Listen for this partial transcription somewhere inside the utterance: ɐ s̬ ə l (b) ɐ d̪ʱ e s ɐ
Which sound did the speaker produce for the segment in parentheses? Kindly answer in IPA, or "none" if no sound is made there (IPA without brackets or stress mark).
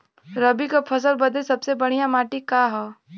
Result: b